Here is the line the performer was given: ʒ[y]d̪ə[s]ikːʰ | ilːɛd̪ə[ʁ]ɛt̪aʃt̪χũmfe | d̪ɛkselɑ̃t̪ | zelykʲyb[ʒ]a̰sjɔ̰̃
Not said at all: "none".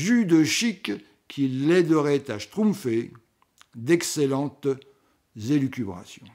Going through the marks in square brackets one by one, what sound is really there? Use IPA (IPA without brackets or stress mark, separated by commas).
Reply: y, ʃ, ʁ, ʁ